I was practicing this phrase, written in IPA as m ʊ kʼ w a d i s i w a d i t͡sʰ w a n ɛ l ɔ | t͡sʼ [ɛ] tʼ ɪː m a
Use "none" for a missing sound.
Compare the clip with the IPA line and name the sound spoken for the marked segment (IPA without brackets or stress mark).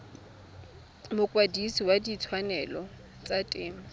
a